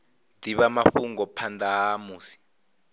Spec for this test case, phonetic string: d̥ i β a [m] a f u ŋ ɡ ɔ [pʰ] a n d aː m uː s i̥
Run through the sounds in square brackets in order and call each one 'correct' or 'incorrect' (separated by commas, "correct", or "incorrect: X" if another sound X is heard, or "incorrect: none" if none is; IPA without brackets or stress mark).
correct, correct